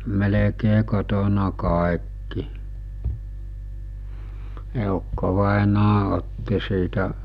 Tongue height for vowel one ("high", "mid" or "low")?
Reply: mid